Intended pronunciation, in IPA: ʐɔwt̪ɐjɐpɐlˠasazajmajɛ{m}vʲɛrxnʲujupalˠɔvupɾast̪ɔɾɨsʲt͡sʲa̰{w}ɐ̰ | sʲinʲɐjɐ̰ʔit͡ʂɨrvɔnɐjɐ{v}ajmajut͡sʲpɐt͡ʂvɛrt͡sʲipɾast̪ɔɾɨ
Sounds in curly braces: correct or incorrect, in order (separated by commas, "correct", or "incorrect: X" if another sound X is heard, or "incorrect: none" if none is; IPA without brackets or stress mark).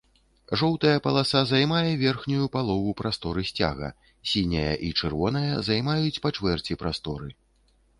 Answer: incorrect: none, incorrect: ɣ, incorrect: z